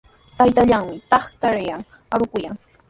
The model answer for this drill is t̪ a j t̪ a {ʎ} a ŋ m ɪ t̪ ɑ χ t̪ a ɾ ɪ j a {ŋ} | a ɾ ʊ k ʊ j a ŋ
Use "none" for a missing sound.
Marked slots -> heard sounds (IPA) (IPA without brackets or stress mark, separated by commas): ʎ, ŋ